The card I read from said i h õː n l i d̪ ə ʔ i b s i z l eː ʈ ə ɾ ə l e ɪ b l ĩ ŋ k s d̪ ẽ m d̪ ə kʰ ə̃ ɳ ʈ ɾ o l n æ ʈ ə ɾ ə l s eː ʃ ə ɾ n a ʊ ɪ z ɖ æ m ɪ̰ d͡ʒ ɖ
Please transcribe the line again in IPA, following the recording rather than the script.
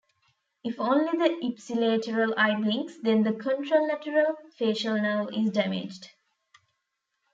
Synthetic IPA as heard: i f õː n l i d̪ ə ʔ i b s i l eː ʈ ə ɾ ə l a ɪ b l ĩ ŋ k s d̪ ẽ n d̪ ə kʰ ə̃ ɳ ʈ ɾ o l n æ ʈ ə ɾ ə l f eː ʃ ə l n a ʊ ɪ z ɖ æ m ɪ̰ d͡ʒ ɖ